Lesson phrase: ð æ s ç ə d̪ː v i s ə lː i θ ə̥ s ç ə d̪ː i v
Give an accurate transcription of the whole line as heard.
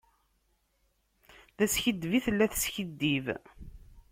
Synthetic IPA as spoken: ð æ s ç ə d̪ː v i θ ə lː æ θ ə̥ s ç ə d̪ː i v